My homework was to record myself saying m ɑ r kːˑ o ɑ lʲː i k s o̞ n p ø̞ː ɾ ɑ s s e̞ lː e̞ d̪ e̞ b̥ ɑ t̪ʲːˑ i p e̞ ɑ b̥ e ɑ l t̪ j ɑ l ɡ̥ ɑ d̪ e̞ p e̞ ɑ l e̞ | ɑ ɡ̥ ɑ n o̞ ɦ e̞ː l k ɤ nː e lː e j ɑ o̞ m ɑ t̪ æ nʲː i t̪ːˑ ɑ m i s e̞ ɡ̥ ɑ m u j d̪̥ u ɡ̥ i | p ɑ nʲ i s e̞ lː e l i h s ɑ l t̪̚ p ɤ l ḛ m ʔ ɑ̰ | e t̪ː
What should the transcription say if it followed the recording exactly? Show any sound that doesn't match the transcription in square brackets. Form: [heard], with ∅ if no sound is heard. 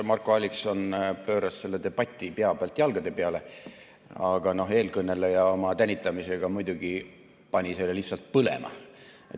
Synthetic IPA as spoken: m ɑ r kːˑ o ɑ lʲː i k s o̞ n p ø̞ː ɾ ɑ s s e̞ lː e̞ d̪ e̞ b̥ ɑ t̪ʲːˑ i p e̞ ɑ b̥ e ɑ l t̪ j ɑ l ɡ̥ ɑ d̪ e̞ p e̞ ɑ l e̞ | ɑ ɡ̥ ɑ n o̞ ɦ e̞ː l k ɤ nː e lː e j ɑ o̞ m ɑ t̪ æ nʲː i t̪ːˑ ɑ m i s e̞ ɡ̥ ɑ m u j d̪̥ u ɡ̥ i | p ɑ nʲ i s e̞ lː e l i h s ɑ l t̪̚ p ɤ l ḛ m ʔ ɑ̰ | e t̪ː